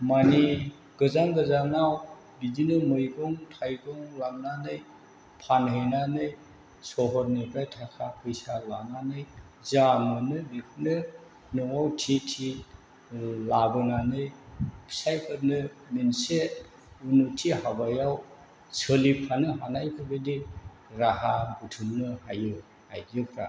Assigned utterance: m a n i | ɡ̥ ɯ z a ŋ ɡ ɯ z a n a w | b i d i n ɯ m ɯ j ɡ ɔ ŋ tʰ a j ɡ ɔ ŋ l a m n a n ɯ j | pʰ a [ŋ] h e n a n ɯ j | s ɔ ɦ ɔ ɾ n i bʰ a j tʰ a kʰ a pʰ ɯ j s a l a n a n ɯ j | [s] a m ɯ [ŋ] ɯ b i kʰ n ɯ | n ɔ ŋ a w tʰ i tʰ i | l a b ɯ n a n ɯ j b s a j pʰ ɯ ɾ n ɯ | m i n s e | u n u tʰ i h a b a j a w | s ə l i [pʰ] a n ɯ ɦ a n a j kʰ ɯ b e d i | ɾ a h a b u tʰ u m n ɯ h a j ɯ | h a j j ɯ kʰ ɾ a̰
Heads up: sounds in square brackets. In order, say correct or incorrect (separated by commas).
incorrect, incorrect, incorrect, correct